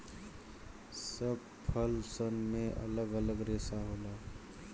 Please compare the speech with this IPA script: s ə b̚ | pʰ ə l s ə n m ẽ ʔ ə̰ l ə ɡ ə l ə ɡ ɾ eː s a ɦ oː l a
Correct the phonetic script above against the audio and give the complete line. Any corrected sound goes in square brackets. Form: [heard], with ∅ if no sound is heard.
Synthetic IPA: s ə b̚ | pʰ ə l s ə n m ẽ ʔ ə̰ l ə ɡ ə l ə ɡ ɾ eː s a ɦ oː l a